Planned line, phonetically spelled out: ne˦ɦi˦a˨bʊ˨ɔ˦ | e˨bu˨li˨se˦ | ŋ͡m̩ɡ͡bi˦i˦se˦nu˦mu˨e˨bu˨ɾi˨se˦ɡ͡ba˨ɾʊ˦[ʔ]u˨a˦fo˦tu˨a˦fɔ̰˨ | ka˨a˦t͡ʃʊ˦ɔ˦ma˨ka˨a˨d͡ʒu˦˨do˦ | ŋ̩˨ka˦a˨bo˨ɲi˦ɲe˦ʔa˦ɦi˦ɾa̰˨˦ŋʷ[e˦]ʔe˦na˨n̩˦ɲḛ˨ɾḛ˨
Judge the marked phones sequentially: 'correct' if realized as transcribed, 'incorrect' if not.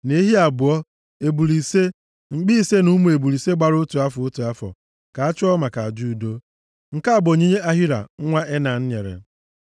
incorrect, incorrect

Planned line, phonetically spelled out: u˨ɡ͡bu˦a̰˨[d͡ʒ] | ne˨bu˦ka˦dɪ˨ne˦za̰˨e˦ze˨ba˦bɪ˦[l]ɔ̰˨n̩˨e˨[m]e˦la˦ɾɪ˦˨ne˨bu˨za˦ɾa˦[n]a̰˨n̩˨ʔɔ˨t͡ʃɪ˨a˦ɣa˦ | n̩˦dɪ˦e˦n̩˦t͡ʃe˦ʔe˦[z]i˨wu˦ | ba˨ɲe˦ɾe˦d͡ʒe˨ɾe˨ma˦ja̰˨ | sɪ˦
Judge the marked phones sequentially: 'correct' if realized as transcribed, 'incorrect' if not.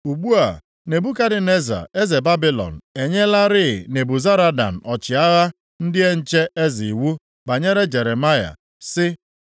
incorrect, correct, incorrect, incorrect, correct

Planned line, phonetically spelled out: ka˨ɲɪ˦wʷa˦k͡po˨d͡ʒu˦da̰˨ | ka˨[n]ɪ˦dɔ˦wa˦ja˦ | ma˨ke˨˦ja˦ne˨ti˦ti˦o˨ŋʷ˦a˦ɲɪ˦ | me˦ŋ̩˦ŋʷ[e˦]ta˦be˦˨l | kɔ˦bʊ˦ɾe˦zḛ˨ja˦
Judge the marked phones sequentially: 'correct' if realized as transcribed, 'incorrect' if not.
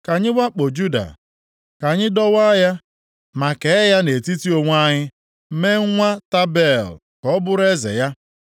incorrect, incorrect

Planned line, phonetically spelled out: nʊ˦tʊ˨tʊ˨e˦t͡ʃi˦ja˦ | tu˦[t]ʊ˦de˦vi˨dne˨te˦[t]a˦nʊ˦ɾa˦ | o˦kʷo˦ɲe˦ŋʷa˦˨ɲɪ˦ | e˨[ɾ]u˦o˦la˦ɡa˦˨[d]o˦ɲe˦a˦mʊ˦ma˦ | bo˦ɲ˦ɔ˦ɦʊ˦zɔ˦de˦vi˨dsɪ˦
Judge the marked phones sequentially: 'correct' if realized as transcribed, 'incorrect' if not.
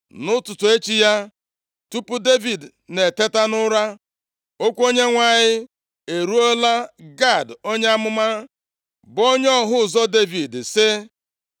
incorrect, correct, correct, correct

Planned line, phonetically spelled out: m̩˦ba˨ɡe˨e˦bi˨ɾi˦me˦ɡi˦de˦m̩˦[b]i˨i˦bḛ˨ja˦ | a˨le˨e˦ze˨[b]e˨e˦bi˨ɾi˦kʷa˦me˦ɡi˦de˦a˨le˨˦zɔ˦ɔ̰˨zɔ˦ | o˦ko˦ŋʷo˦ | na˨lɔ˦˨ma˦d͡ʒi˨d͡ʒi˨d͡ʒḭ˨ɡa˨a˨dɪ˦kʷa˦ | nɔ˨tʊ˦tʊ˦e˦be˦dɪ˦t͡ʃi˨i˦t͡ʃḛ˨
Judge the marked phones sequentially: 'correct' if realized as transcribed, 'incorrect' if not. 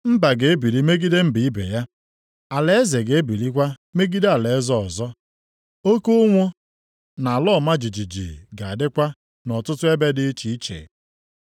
correct, incorrect

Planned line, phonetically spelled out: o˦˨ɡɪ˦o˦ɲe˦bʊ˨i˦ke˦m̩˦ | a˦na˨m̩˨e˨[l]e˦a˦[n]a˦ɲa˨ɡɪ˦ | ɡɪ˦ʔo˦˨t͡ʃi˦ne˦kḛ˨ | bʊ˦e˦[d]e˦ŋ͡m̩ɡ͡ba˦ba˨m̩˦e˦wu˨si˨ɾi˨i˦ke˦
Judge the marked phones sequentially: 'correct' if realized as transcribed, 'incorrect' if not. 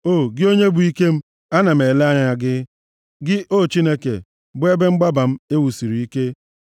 correct, incorrect, incorrect

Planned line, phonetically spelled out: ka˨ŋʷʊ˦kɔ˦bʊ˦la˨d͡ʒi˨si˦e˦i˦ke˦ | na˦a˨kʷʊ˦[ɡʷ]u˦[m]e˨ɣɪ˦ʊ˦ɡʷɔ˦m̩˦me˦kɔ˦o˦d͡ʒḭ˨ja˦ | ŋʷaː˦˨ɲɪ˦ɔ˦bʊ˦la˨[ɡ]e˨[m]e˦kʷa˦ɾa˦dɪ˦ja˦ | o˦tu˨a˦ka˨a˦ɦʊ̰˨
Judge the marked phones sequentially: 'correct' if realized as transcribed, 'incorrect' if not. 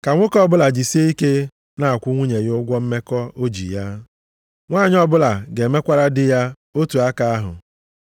incorrect, incorrect, correct, correct

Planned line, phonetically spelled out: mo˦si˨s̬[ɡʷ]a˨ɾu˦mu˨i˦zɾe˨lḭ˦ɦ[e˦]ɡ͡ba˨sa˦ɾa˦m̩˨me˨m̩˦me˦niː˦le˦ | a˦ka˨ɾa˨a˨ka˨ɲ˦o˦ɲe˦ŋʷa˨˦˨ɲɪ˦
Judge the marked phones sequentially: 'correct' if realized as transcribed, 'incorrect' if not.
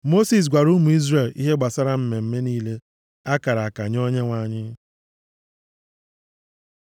correct, correct

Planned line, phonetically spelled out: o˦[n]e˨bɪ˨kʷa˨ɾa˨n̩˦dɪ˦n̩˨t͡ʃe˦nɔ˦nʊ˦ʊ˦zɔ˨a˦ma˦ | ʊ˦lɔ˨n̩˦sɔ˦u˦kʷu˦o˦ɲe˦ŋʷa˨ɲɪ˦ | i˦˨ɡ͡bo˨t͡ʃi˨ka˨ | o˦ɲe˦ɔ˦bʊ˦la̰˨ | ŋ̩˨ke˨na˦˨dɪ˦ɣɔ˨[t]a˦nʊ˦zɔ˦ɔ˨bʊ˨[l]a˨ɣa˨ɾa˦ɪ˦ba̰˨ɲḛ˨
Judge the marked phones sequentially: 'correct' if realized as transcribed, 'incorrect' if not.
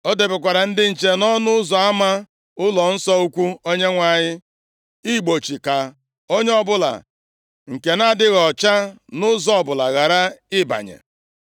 incorrect, incorrect, correct

